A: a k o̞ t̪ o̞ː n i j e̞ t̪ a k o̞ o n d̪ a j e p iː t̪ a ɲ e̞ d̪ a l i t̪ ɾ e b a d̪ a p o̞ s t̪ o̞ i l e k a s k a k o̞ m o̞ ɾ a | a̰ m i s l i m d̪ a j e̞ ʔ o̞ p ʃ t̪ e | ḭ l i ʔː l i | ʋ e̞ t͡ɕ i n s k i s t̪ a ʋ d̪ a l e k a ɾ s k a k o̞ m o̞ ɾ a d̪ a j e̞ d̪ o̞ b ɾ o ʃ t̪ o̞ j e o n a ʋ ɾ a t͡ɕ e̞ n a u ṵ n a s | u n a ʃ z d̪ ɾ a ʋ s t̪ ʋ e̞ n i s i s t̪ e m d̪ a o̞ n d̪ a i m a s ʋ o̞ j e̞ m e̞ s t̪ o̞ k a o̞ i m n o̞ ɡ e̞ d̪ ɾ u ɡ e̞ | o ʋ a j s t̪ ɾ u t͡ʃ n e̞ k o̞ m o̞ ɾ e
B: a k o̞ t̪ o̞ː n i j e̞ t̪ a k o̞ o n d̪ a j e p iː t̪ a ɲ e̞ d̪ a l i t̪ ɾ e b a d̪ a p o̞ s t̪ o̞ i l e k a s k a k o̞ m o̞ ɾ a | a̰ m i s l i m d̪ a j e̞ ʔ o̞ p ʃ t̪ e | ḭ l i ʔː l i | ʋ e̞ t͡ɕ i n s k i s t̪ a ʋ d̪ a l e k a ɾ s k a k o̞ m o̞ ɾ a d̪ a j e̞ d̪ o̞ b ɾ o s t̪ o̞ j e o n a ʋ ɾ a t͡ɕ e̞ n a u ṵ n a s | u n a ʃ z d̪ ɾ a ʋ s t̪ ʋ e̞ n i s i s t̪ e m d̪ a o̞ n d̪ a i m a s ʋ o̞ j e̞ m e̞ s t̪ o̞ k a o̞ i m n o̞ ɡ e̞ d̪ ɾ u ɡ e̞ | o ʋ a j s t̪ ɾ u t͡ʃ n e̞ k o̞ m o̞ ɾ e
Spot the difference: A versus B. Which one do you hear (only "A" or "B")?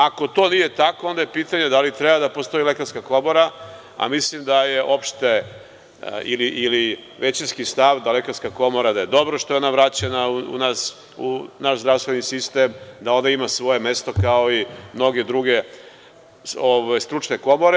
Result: A